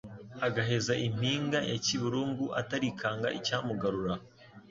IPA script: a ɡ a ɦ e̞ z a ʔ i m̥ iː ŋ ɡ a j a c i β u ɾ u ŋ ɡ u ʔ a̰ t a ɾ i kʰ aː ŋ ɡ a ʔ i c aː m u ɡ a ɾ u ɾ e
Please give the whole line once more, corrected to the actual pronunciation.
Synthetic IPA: a ɡ a ɦ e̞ z a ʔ i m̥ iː ŋ ɡ a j a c i β u ɾ uː ŋ ɡ u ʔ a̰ t a ɾ i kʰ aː ŋ ɡ a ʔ i c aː m u ɡ a ɾ u ɾ a